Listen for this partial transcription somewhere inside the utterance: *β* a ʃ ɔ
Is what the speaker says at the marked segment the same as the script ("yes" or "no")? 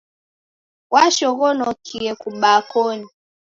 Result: no